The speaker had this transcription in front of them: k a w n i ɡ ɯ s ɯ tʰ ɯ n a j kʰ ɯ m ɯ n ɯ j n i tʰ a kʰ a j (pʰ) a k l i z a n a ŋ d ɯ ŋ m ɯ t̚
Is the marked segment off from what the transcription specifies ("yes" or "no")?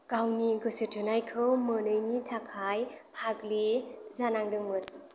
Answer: no